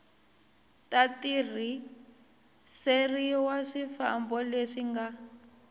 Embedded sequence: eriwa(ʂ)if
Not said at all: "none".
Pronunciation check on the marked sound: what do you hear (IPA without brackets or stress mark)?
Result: ʂ